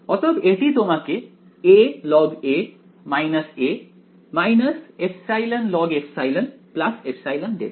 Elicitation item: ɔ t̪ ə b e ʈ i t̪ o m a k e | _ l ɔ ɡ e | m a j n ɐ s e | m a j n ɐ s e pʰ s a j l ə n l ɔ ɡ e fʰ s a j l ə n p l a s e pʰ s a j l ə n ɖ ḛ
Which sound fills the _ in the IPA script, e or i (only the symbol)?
e